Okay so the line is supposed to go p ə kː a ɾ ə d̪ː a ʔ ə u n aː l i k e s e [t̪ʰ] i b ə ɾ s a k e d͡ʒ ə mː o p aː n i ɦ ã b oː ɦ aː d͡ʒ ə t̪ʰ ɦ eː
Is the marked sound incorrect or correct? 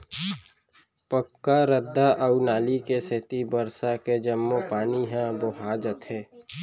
incorrect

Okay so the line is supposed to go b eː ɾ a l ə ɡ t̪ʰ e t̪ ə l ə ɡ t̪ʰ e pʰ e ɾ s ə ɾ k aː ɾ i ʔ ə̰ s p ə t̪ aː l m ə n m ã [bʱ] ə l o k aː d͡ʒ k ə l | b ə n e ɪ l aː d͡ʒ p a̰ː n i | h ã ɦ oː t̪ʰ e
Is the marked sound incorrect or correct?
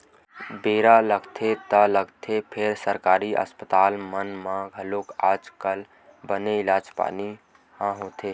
incorrect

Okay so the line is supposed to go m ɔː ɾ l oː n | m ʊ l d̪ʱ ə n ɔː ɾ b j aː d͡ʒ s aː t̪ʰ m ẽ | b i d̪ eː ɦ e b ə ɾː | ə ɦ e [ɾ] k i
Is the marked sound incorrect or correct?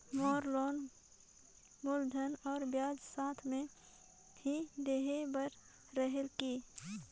incorrect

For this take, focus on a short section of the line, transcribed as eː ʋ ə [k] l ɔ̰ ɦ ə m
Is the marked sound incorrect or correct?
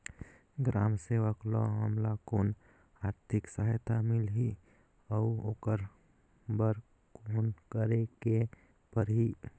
correct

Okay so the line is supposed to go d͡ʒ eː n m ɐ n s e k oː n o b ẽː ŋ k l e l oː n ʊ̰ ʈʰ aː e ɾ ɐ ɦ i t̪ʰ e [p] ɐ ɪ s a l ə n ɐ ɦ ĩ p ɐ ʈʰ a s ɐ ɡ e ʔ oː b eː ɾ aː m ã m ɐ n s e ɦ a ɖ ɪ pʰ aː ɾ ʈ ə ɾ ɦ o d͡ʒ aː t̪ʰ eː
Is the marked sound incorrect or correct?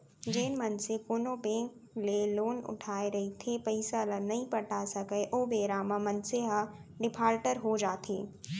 correct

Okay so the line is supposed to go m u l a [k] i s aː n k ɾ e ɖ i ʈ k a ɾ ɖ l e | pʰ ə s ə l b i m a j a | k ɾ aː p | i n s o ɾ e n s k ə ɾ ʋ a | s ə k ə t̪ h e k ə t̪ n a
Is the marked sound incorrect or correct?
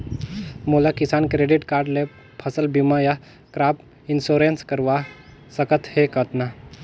correct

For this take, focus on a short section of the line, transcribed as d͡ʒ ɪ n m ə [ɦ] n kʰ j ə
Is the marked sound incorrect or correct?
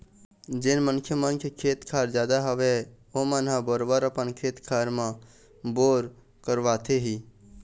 incorrect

